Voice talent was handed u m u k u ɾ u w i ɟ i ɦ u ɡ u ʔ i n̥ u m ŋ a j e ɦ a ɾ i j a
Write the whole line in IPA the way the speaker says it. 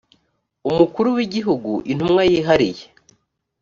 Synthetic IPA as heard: u m u k u ɾ u w i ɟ i ɦ u ɡ u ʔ i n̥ u m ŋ a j i ɦ a ɾ i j e